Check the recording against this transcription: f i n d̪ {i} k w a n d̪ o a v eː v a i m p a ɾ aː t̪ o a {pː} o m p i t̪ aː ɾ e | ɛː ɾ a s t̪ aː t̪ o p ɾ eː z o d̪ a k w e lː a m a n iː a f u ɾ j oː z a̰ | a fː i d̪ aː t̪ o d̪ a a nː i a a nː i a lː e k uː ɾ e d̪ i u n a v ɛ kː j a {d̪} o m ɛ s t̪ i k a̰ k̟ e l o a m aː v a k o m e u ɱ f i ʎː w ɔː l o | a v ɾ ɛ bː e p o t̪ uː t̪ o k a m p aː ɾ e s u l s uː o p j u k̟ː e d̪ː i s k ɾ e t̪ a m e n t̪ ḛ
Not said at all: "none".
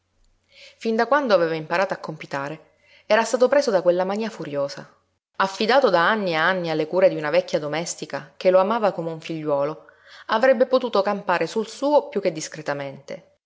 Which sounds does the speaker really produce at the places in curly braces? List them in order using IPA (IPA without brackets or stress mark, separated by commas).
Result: a, kː, d̪